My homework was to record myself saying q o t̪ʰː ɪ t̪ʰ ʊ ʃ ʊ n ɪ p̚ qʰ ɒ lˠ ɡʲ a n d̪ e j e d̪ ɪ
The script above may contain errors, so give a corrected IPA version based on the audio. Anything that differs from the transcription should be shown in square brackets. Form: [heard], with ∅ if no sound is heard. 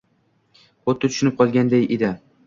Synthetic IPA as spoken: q o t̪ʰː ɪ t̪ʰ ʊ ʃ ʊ n ɪ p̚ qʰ ɒ lˠ ɡʲ a n d̪ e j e d̪ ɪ

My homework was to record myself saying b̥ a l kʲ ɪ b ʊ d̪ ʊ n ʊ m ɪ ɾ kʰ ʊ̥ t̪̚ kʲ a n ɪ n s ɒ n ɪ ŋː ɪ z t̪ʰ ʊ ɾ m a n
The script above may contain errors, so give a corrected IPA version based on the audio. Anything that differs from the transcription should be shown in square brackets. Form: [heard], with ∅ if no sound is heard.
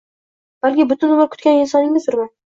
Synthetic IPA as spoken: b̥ a l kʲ ɪ b ʊ [t̪] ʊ n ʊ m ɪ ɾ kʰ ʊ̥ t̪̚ kʲ a n ɪ n s ɒ n ɪ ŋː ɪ z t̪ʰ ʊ ɾ m a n

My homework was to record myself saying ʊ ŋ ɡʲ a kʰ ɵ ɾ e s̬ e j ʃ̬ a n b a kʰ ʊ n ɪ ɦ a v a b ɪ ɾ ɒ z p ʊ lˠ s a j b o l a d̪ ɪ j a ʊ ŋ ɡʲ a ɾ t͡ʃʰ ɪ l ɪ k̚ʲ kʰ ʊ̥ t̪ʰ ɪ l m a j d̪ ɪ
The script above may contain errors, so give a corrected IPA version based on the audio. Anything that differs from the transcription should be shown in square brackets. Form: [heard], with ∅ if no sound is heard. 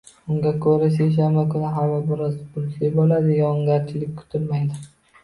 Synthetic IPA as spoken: ʊ ŋ ɡʲ a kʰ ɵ ɾ [a] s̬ e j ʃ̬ a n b a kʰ ʊ n ɪ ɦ a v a b ɪ ɾ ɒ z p ʊ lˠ s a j b o l a d̪ ɪ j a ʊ ŋ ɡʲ a ɾ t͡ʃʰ ɪ l ɪ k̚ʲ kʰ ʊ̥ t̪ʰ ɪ l m a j d̪ ɪ

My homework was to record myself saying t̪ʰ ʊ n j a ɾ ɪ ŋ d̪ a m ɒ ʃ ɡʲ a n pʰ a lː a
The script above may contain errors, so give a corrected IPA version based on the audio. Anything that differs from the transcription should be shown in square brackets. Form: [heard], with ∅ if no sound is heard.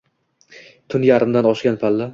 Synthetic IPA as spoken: t̪ʰ ʊ n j a ɾ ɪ [m] d̪ a [n] ɒ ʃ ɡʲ a n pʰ a lː a

